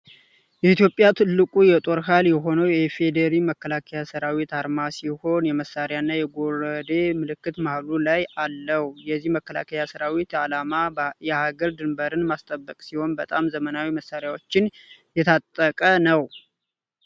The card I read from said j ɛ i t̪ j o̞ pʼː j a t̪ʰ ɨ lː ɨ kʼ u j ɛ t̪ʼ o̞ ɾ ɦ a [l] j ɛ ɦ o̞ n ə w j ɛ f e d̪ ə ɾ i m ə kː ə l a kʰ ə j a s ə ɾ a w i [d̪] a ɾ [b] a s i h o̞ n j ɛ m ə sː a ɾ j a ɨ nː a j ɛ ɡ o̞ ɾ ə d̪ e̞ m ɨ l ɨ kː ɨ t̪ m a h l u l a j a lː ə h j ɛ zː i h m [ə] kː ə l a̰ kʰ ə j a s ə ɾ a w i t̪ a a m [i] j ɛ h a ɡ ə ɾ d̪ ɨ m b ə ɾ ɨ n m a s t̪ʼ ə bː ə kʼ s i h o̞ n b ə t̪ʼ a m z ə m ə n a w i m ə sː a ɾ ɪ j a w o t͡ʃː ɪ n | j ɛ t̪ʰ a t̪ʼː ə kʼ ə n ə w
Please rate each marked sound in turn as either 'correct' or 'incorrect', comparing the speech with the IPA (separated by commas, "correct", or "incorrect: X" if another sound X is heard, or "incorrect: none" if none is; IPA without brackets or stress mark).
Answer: correct, incorrect: t̪, incorrect: m, correct, incorrect: a